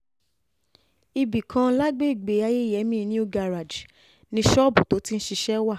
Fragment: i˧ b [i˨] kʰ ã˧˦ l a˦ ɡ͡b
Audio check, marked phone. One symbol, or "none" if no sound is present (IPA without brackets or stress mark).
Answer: i˨